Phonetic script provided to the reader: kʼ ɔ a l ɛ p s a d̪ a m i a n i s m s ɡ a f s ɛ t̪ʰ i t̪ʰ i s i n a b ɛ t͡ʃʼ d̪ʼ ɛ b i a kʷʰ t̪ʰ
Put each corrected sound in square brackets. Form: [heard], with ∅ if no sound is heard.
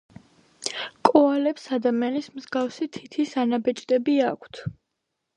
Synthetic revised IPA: kʼ ɔ a l ɛ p s a d̪ a m i a n i s m [z] ɡ a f s [i] t̪ʰ i t̪ʰ i s [a] n a b ɛ t͡ʃʼ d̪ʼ ɛ b i a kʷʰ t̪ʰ